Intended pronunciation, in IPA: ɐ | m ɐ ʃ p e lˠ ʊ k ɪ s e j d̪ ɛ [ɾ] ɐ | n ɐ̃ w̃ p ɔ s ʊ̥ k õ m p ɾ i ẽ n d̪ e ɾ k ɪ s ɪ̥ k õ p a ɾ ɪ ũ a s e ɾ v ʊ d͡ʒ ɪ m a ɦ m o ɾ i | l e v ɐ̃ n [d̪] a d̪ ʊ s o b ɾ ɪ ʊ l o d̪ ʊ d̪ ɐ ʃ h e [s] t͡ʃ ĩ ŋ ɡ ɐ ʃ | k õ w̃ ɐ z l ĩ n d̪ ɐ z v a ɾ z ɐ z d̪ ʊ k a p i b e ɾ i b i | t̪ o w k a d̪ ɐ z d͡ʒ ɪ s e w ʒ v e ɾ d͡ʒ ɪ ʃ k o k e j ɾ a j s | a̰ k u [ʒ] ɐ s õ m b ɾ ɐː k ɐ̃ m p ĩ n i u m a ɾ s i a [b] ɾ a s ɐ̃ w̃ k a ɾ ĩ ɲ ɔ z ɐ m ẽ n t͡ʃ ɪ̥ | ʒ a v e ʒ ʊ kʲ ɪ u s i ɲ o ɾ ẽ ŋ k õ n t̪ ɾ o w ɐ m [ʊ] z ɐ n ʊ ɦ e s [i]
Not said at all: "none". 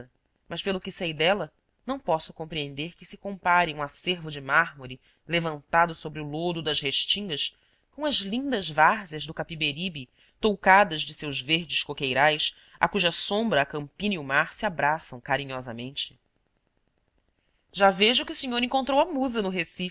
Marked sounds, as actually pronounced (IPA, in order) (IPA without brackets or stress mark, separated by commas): l, t̪, ʃ, ʒ, b, u, i